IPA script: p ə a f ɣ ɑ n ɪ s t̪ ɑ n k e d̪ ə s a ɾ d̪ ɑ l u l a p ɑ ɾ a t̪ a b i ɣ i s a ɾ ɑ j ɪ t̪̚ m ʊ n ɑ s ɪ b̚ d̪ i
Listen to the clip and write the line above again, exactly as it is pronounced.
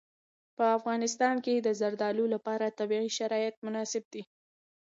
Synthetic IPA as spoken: p ə a f ɣ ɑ n ɪ s t̪ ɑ n k e d̪ ə z a ɾ d̪ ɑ l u l a p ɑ ɾ a t̪ a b i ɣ i ʃ a ɾ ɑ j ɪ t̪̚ m ʊ n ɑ s ɪ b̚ d̪ i